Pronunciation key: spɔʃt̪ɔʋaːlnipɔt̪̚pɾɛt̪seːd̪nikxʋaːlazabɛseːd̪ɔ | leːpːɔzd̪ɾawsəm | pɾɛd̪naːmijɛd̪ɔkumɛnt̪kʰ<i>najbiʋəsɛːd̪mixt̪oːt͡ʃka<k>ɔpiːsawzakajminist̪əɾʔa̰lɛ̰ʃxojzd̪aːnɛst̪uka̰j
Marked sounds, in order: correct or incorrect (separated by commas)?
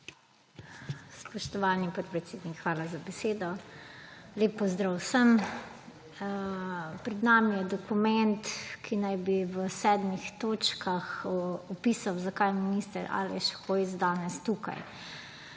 correct, incorrect